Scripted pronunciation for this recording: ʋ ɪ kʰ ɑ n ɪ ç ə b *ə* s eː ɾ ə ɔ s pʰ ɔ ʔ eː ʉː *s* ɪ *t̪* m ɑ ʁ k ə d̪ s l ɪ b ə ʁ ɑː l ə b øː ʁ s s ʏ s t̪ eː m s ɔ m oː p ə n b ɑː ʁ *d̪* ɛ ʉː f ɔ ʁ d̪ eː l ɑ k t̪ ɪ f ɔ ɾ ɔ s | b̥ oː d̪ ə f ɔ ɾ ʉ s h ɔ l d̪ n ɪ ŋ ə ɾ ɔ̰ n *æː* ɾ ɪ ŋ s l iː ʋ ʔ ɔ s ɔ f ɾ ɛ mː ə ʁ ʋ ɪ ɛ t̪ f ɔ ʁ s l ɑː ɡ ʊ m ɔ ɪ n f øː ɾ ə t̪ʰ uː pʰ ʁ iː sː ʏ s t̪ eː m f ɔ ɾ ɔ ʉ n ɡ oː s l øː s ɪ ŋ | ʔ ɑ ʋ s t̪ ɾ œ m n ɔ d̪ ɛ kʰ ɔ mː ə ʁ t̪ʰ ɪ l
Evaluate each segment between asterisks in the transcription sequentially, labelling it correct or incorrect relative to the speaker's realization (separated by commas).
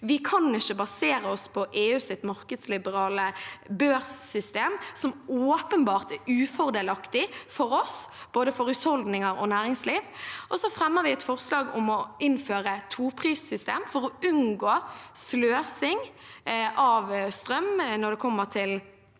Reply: incorrect, correct, correct, incorrect, correct